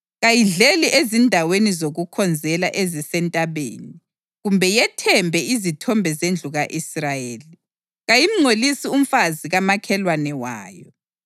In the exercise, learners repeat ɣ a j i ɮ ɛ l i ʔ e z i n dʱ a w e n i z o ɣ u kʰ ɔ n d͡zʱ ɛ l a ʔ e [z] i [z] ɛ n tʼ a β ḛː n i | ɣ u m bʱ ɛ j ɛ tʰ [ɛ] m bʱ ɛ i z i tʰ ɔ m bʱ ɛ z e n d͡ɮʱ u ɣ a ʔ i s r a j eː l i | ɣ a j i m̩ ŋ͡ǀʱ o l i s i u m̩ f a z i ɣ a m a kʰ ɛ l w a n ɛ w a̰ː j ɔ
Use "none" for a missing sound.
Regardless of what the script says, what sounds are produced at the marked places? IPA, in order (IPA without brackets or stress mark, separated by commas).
z, s, ɛ